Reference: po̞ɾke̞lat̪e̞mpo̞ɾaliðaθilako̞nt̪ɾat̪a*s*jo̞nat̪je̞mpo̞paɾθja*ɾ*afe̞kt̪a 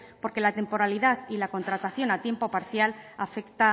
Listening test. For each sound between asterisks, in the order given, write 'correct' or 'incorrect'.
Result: incorrect: θ, incorrect: l

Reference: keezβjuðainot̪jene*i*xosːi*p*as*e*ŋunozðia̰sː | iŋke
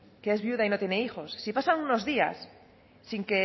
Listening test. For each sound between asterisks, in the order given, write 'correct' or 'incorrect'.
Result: correct, correct, incorrect: a

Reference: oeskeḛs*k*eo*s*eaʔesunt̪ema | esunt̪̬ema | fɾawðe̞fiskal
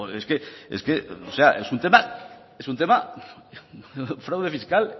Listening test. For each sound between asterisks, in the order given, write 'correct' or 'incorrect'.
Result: correct, correct

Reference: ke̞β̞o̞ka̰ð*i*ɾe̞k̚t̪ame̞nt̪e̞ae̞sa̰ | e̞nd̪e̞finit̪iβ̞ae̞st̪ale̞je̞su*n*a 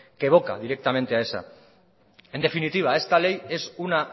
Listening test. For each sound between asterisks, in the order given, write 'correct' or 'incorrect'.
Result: correct, correct

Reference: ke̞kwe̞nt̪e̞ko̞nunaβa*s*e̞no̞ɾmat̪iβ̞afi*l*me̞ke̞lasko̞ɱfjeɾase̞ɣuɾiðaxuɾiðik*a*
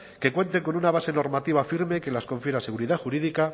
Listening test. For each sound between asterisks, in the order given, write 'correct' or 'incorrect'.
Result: correct, incorrect: ɾ, correct

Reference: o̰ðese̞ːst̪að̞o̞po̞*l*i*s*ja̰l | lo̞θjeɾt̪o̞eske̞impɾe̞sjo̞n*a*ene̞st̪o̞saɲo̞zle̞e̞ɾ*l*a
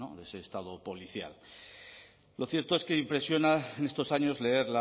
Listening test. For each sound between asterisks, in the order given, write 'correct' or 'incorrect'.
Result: correct, incorrect: θ, correct, correct

